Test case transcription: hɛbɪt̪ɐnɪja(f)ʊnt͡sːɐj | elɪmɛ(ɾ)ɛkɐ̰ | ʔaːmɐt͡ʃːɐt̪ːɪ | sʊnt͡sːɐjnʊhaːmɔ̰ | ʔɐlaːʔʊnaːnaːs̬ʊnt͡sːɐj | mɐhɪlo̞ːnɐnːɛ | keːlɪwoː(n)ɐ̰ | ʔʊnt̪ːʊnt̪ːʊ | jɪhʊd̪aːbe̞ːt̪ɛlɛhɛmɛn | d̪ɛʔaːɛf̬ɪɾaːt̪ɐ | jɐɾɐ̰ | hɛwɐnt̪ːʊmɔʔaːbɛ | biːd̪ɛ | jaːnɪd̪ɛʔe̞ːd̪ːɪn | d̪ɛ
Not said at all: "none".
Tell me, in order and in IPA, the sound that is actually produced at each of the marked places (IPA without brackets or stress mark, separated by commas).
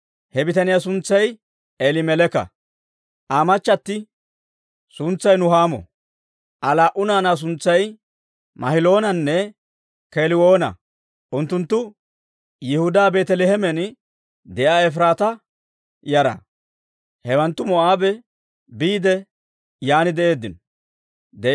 s, l, n